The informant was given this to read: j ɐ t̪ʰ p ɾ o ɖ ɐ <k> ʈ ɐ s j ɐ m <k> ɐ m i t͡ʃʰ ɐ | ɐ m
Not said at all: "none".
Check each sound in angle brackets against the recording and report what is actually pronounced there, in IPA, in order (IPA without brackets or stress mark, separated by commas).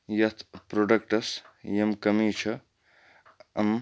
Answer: k, k